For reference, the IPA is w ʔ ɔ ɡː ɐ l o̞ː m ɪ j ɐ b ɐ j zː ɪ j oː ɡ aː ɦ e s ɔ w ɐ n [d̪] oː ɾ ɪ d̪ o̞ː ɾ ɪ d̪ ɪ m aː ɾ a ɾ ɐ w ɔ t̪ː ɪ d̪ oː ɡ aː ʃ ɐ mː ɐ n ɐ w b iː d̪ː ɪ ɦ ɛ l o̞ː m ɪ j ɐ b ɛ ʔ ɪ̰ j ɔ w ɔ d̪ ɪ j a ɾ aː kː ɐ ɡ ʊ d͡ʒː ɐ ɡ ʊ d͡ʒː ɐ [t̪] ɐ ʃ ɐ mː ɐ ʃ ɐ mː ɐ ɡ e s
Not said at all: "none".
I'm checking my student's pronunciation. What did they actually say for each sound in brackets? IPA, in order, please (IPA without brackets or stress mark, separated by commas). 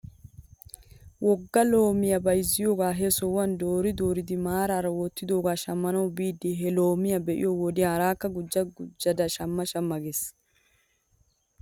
d̪, d̪